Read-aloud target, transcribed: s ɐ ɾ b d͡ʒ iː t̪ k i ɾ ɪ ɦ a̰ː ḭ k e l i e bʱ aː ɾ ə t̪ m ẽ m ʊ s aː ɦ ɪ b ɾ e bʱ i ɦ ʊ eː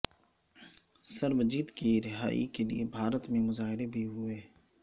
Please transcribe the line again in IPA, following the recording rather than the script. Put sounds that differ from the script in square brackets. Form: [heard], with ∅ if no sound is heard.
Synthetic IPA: s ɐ ɾ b d͡ʒ iː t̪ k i ɾ ɪ ɦ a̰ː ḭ k e l i e bʱ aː ɾ ə t̪ m ẽ m ʊ [z] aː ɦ ɪ [∅] ɾ e bʱ i ɦ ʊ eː